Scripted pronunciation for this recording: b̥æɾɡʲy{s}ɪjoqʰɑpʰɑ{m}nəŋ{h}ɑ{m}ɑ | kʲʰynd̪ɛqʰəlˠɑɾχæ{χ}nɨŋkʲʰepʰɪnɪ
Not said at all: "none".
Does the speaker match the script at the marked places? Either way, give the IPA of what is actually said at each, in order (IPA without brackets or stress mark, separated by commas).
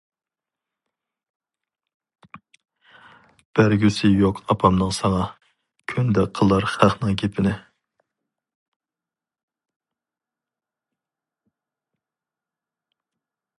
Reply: s, m, s, ŋ, χ